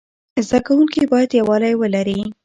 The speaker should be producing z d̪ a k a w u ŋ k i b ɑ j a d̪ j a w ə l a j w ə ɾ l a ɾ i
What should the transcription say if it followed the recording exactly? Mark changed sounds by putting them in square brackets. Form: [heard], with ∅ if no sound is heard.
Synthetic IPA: z d̪ a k a w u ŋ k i b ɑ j a d̪ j a w [ɑ] l a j w ə [∅] l a ɾ i